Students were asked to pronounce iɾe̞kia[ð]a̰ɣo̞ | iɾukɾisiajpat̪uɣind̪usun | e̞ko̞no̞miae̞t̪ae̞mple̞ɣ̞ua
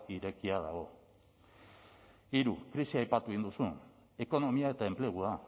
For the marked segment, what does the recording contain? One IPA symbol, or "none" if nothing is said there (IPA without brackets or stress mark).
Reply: ð